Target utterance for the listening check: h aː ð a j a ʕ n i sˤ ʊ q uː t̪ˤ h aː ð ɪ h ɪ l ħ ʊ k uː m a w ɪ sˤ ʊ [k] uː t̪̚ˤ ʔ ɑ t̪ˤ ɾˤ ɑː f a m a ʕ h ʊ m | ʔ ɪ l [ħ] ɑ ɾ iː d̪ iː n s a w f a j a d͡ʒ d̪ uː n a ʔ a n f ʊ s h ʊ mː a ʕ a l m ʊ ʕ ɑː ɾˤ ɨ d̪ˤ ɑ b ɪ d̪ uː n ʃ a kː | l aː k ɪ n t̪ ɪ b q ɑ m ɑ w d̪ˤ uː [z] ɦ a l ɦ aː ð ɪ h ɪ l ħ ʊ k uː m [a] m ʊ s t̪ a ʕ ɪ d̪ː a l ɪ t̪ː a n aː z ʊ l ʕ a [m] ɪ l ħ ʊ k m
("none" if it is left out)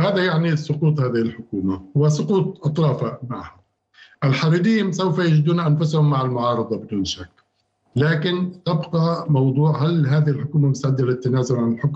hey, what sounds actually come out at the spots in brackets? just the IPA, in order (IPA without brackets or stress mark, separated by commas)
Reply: q, ħ, ʕ, a, n